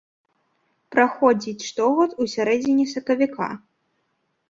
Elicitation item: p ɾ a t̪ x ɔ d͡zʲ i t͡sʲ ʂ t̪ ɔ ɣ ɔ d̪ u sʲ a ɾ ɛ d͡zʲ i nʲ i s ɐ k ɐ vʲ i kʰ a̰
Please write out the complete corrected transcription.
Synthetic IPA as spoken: p ɾ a x ɔ d͡zʲ i t͡sʲ ʂ t̪ ɔ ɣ ɔ t̪ u sʲ a ɾ ɛ d͡zʲ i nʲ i s ɐ k ɐ vʲ i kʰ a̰